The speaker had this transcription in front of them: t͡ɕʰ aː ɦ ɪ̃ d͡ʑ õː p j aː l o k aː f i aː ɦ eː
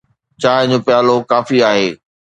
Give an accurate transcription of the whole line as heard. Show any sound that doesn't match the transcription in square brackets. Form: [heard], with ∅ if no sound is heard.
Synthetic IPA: [t͡ɕ] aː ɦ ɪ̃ d͡ʑ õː p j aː l o k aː f i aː ɦ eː

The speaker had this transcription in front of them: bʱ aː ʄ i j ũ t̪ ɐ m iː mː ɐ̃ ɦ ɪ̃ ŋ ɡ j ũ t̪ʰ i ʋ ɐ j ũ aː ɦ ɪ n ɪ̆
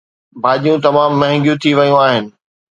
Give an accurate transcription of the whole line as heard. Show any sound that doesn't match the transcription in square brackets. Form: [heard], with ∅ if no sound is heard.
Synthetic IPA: bʱ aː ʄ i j ũ t̪ ɐ m [aː] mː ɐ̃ ɦ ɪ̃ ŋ ɡ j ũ t̪ʰ i ʋ ɐ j ũ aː ɦ ɪ n ɪ̆

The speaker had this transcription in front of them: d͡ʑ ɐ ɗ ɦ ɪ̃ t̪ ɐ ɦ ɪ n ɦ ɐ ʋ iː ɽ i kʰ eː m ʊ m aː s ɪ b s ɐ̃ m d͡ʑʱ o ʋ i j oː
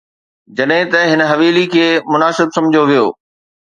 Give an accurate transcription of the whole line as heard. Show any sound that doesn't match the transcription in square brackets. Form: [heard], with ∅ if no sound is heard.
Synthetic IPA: d͡ʑ ɐ ɗ ɦ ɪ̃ t̪ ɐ ɦ ɪ n ɦ ɐ ʋ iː [l] i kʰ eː m ʊ [n] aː s ɪ b s ɐ̃ m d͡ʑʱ o ʋ i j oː

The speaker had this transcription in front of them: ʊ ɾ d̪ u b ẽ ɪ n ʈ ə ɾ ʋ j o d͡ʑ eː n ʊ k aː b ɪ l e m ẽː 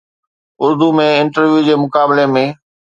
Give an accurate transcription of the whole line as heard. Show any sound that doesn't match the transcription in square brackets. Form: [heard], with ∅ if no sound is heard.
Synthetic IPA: ʊ ɾ d̪ u [m] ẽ ɪ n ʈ ə ɾ ʋ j [u] d͡ʑ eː [m] ʊ k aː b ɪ l e m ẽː

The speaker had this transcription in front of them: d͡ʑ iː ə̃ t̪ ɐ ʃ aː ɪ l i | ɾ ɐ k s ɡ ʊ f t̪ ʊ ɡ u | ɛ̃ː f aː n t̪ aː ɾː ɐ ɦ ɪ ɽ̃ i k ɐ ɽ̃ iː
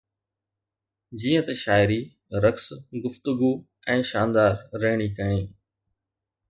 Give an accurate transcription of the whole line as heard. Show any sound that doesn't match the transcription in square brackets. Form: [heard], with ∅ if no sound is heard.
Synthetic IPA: d͡ʑ iː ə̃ t̪ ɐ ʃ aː ɪ [ɾ] i | ɾ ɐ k s ɡ ʊ f t̪ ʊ ɡ u | ɛ̃ː [ʃ] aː n [d̪] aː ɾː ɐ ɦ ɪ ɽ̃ i k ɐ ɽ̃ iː

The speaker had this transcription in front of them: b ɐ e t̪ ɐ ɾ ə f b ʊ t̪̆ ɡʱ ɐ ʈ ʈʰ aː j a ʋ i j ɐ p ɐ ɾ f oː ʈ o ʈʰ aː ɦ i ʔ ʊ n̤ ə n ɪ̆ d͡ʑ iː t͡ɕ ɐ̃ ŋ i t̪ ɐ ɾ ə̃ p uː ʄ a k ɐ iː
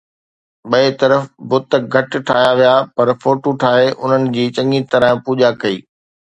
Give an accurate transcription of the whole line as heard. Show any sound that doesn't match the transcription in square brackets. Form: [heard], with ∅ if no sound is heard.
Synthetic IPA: [ɓ] ɐ e t̪ ɐ ɾ ə f b ʊ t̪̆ ɡʱ ɐ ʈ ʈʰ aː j a ʋ i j [a] p ɐ ɾ f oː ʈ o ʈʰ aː ɦ [e] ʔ ʊ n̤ ə n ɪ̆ d͡ʑ iː t͡ɕ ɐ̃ ŋ i t̪ ɐ ɾ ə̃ p uː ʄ a k ɐ iː

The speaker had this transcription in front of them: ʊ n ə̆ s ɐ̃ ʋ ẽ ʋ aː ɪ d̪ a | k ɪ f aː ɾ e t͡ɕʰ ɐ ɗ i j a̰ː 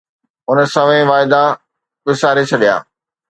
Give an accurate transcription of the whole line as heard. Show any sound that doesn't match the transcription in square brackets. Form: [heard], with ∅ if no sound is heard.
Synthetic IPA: ʊ n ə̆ s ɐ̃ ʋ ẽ ʋ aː ɪ d̪ a | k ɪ [s] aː ɾ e t͡ɕʰ ɐ ɗ i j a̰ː

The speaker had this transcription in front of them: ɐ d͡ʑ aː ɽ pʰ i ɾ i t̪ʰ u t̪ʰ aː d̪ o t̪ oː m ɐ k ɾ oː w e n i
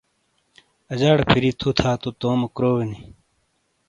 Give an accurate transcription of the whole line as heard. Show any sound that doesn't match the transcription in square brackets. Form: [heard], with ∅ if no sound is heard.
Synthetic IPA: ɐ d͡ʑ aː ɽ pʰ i ɾ i t̪ʰ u t̪ʰ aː [t̪] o t̪ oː m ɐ k ɾ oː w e n i

